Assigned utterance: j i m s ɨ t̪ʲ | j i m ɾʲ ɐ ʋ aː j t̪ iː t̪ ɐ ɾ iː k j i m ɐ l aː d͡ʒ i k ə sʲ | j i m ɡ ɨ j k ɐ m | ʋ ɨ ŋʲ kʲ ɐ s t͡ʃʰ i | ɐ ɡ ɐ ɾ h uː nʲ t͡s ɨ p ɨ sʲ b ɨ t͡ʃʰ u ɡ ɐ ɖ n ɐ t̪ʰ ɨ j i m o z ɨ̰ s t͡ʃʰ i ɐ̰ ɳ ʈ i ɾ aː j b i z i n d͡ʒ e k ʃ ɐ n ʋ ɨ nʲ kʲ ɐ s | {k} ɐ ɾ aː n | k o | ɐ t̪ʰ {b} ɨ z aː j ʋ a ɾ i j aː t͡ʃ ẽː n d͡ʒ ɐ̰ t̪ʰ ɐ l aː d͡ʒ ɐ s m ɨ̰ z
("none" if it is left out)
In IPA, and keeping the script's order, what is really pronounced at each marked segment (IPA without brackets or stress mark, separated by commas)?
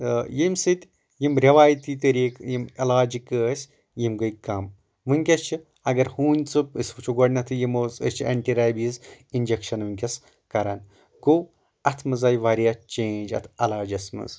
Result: k, m